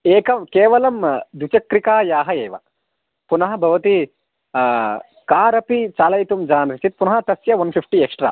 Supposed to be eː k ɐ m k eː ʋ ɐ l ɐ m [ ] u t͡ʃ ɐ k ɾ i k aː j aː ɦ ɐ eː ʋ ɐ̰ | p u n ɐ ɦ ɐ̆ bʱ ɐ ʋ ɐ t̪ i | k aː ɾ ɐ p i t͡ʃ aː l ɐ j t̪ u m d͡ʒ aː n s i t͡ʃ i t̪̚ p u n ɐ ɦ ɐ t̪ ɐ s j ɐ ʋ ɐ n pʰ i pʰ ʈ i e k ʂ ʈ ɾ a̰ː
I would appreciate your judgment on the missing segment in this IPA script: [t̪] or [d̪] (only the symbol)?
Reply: d̪